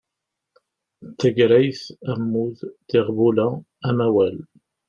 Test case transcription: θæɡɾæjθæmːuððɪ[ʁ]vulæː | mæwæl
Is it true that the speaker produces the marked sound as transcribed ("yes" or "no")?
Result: yes